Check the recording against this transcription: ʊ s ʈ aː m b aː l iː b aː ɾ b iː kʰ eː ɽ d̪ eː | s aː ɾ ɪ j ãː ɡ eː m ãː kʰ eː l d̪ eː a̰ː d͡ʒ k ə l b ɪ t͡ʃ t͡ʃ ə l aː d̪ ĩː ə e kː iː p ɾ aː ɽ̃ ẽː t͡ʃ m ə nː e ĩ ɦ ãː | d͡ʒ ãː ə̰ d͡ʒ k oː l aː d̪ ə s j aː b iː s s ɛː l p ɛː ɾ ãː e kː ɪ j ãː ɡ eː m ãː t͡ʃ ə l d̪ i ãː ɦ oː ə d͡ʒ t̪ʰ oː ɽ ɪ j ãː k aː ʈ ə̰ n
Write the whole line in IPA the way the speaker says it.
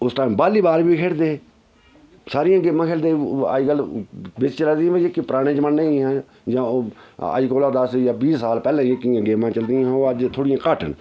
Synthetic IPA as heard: ʊ s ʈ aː m b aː l iː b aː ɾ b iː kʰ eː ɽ d̪ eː | s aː ɾ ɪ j ãː ɡ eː m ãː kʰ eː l d̪ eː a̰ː d͡ʒ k ə l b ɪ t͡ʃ t͡ʃ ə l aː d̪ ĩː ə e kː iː p ɾ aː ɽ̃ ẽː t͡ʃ m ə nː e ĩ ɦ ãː | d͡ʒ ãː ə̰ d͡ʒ k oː l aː d̪ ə s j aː b iː s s aː l p ɛː l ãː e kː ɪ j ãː ɡ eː m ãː t͡ʃ ə l d̪ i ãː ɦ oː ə d͡ʒ t̪ʰ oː ɽ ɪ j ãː k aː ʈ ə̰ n